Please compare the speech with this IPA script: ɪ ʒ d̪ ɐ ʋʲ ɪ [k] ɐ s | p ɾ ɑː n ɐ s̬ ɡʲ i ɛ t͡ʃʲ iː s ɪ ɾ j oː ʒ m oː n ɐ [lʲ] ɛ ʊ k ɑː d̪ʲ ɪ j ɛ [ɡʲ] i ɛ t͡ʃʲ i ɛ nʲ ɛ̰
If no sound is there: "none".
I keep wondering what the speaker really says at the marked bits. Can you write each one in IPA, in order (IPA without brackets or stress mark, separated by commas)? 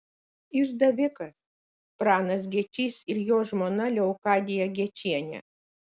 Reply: k, lʲ, ɡʲ